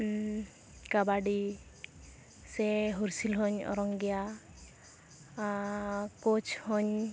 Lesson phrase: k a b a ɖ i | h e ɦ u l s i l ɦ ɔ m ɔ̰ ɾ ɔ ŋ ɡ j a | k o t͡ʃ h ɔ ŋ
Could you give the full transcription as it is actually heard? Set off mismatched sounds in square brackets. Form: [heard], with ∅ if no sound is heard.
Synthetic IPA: k a b a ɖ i | [s] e ɦ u [ɾ] s i l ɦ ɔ [ɲ] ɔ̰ ɾ ɔ ŋ ɡ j a | k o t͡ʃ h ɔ [ɲ]